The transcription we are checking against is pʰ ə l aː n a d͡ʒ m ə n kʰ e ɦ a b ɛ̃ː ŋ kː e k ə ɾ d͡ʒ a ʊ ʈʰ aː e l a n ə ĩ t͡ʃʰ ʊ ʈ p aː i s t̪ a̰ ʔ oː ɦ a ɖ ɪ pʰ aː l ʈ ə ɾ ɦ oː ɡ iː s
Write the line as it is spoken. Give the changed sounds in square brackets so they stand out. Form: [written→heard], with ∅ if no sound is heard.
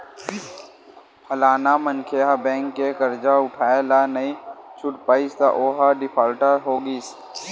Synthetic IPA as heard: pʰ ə l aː n a [d͡ʒ→∅] m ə n kʰ e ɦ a b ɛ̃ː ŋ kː e k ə ɾ d͡ʒ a ʊ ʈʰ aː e l a n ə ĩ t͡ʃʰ ʊ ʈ p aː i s t̪ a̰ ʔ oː ɦ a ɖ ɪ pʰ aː l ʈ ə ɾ ɦ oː ɡ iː s